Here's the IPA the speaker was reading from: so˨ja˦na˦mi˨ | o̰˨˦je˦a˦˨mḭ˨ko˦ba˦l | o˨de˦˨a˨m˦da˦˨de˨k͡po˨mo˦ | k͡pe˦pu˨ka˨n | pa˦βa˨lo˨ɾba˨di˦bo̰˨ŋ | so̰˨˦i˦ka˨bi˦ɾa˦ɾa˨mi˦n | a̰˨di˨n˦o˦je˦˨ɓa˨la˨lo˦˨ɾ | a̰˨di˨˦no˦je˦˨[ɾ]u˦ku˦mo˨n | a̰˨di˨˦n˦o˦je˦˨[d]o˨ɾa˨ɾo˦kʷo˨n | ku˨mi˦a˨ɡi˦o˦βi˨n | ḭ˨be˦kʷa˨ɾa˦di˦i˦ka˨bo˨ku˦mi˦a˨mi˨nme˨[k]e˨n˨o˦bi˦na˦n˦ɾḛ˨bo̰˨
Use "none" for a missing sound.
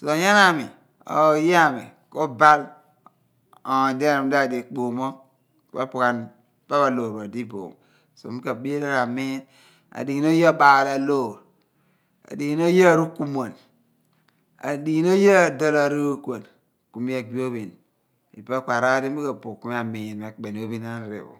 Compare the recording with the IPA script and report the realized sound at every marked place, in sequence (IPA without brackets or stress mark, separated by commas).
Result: ɾ, d, k͡p